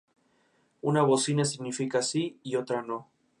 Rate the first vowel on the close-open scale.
close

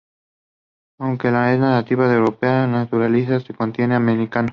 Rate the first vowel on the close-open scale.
open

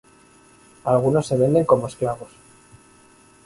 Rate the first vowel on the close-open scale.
open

